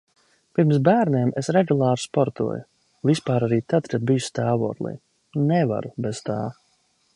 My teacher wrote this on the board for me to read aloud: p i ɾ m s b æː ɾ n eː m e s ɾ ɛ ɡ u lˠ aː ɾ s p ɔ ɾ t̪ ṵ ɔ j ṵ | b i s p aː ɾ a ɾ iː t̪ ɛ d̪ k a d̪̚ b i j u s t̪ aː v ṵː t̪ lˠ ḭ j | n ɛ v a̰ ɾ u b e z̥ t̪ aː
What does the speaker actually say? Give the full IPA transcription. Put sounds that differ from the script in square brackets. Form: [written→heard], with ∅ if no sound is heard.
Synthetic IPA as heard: p i ɾ m s b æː ɾ n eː m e s ɾ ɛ ɡ u lˠ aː ɾ s p ɔ ɾ t̪ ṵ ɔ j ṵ | [b→v] i s p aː ɾ a ɾ iː t̪ [ɛ→a] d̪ k a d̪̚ b i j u s t̪ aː v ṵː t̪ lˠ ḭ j | n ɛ v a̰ ɾ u b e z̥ t̪ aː